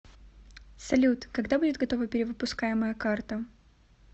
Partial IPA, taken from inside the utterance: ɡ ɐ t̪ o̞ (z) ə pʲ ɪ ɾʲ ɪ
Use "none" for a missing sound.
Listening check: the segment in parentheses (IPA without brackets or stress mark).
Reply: v